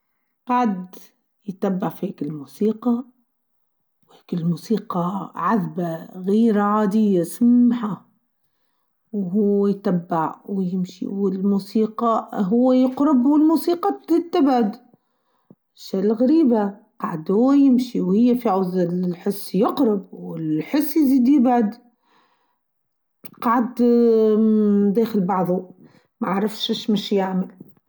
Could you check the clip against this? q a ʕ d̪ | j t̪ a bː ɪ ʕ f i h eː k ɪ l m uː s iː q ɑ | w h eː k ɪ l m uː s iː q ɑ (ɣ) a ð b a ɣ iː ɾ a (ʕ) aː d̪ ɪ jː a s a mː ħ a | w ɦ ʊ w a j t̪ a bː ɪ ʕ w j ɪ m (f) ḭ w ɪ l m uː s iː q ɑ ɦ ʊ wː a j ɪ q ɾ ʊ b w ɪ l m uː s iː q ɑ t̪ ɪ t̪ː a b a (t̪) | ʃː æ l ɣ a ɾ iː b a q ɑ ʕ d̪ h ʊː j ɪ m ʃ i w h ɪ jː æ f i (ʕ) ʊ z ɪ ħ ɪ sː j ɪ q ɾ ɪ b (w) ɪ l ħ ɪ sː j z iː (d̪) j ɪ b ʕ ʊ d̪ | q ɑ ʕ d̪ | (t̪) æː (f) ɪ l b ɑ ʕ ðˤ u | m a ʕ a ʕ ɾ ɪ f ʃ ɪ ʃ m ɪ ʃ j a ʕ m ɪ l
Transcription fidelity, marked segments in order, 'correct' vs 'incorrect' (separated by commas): incorrect, correct, incorrect, incorrect, correct, correct, correct, incorrect, incorrect